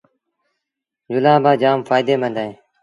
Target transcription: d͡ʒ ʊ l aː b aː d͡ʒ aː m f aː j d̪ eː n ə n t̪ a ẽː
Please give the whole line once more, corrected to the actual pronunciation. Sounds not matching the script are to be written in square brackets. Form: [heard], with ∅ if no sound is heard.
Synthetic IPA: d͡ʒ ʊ l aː b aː d͡ʒ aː m f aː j d̪ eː [m] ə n [d̪] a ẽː